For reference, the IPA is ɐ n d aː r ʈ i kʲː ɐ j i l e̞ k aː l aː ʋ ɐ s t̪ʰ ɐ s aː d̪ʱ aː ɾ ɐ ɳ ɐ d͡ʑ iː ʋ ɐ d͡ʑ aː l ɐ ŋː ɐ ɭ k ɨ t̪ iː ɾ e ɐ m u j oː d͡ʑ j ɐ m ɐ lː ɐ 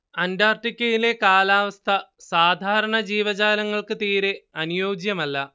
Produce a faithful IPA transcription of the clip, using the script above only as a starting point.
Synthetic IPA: ɐ n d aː r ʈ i kʲː ɐ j i l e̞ k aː l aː ʋ ɐ s t̪ʰ ɐ s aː d̪ʱ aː ɾ ɐ ɳ ɐ d͡ʑ iː ʋ ɐ d͡ʑ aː l ɐ ŋː ɐ ɭ k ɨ t̪ iː ɾ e ɐ n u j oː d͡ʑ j ɐ m ɐ lː ɐ